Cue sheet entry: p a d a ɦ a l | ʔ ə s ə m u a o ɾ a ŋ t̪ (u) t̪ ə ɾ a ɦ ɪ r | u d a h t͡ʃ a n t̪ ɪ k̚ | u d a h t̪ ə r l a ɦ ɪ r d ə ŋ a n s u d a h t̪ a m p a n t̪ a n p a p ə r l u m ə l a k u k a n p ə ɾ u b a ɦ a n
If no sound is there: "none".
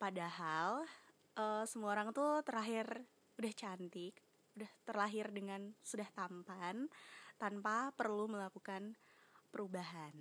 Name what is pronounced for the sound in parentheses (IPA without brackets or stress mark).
u